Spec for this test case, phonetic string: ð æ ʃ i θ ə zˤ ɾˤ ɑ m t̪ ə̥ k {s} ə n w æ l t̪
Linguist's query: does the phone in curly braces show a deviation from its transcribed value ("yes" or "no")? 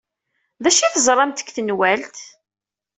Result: yes